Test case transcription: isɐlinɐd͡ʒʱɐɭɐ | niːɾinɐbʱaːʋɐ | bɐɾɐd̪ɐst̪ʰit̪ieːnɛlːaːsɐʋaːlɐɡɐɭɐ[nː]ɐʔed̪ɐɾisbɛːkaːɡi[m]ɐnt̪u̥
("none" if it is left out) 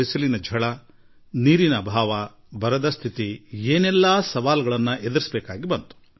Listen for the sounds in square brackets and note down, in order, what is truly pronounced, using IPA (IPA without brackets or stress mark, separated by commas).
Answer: nː, b